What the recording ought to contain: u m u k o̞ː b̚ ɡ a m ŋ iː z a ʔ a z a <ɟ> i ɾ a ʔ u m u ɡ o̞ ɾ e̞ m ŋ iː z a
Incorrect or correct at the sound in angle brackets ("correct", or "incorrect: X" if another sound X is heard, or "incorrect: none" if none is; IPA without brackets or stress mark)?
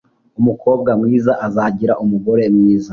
correct